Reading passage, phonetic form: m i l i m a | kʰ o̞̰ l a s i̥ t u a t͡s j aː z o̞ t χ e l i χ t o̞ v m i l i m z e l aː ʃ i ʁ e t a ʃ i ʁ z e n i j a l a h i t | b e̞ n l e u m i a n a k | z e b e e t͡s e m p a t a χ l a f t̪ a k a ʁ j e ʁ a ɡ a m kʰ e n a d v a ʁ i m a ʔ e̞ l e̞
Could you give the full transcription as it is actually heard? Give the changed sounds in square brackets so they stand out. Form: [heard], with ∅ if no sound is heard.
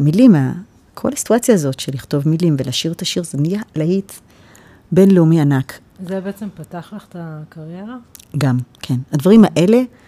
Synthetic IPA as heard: m i l i m a | kʰ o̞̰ l a s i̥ t u a t͡s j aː z o̞ t [ʃ] e l i χ t o̞ v m i l i m [v] e l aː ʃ i ʁ e t a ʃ i ʁ z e n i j a l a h i t | b e̞ n l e u m i a n a k | z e b e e t͡s e m p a t a χ l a [χ] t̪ a k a ʁ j e ʁ a ɡ a m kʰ e n a d v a ʁ i m a ʔ e̞ l e̞